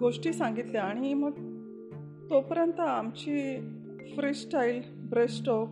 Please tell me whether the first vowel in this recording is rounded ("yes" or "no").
yes